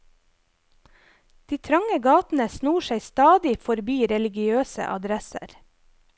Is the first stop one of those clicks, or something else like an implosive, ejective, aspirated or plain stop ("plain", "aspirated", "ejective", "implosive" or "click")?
plain